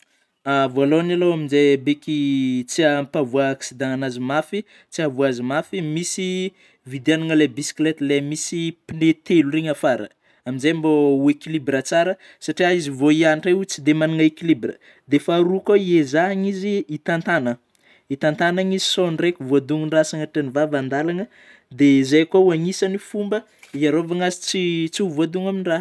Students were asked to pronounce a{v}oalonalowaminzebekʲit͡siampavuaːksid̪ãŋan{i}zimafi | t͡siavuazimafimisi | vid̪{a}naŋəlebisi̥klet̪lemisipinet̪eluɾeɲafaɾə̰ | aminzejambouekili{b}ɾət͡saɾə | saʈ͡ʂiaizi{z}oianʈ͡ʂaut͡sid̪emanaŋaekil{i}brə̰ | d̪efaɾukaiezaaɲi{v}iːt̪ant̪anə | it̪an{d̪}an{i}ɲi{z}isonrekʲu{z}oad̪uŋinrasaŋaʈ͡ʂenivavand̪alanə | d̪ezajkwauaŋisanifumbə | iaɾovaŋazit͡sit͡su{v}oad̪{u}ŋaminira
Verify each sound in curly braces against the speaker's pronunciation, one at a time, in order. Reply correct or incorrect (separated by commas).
correct, incorrect, correct, correct, incorrect, correct, incorrect, incorrect, incorrect, correct, incorrect, correct, correct